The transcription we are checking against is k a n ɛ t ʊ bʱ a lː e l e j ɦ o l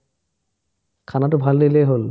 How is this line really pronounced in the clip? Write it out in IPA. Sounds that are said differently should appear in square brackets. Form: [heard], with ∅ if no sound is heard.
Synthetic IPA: [kʰ] a n [a] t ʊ bʱ a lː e l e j ɦ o l